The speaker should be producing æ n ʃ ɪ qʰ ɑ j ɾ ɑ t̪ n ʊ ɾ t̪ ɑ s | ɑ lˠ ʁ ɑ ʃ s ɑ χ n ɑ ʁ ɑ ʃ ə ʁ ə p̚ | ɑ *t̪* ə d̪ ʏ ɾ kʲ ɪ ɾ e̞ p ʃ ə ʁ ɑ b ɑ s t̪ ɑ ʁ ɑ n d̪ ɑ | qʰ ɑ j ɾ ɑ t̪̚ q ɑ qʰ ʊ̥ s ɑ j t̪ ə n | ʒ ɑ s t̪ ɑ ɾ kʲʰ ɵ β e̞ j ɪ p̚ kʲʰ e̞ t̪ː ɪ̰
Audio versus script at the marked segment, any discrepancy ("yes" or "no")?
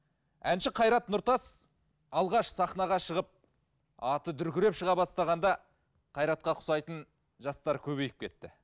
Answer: no